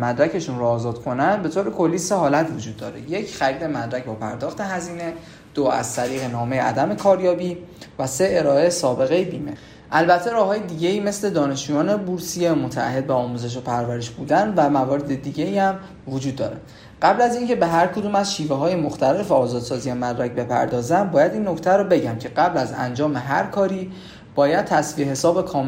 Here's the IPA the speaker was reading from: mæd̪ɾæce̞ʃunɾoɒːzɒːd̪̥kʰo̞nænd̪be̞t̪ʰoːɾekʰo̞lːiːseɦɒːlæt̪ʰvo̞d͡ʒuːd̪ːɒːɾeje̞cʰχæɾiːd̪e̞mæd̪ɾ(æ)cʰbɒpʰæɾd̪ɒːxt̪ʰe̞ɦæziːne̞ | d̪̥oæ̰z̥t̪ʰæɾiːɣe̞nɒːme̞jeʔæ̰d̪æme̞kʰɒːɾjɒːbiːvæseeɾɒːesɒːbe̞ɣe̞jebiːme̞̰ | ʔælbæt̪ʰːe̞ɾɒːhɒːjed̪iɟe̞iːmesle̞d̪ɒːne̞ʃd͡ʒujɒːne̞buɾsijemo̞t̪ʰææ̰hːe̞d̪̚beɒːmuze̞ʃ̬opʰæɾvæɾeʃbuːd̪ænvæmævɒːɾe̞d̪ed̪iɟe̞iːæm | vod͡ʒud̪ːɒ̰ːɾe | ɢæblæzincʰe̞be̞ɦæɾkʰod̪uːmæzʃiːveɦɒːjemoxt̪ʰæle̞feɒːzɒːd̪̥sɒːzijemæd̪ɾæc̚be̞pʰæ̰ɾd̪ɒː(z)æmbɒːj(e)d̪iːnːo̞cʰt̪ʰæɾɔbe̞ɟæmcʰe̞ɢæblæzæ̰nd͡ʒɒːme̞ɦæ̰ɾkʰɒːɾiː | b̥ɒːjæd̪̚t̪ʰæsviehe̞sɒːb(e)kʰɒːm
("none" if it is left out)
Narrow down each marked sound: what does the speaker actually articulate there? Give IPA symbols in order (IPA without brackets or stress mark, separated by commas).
æ, z, æ, e